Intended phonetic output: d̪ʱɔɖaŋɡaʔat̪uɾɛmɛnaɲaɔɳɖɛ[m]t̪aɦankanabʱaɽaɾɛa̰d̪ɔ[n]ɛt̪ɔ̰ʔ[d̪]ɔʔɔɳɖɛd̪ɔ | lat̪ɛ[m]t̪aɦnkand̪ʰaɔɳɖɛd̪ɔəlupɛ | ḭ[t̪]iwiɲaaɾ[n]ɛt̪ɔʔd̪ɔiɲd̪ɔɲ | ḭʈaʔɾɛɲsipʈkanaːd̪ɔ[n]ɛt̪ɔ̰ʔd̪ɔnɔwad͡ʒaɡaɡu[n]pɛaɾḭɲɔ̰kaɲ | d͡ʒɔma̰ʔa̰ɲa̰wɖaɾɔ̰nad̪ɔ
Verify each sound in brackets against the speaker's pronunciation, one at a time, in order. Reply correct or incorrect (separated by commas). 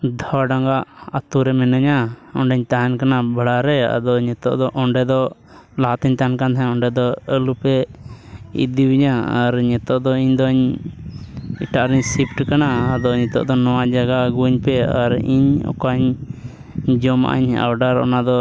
incorrect, incorrect, correct, incorrect, incorrect, incorrect, incorrect, incorrect